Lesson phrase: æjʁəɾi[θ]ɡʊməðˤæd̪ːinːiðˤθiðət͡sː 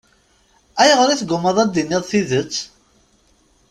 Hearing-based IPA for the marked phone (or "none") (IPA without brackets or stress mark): θ